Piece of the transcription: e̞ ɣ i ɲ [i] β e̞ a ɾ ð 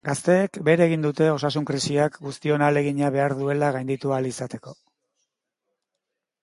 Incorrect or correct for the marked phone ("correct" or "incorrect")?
incorrect